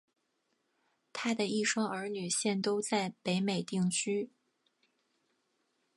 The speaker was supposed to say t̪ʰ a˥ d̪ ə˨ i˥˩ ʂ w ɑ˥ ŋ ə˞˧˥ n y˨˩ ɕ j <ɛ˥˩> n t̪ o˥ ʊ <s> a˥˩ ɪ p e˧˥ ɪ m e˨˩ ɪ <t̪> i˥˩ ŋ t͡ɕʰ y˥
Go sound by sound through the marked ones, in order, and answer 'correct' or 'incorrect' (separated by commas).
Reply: correct, incorrect, correct